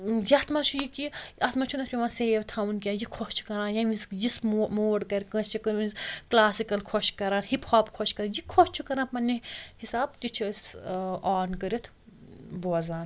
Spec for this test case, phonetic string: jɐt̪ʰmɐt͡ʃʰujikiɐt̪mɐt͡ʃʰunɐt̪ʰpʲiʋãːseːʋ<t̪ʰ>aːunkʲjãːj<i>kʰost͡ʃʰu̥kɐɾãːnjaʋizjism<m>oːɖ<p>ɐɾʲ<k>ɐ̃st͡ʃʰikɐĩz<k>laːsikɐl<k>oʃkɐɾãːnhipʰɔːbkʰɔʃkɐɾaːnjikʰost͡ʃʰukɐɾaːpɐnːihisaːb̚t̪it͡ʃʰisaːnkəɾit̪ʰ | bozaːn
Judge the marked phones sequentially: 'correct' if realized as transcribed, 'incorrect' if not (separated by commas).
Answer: correct, correct, correct, incorrect, correct, correct, incorrect